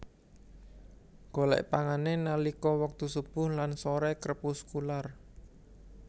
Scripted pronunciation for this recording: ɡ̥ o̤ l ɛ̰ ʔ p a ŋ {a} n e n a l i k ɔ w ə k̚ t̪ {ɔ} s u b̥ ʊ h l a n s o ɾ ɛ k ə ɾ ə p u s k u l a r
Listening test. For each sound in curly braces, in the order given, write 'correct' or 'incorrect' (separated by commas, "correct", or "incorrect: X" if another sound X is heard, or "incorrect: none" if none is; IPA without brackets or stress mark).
correct, incorrect: u